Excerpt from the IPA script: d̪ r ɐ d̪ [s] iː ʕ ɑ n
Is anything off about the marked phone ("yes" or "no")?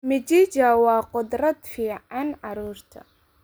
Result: yes